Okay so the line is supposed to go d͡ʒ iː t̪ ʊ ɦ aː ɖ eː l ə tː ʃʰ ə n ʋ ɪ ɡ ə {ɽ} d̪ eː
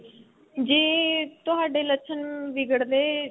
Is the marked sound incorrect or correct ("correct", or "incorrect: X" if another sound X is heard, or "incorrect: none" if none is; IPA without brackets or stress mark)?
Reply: correct